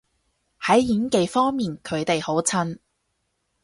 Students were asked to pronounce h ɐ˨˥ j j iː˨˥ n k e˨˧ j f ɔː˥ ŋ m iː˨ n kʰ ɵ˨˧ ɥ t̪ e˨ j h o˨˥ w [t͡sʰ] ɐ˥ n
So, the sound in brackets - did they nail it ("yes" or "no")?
yes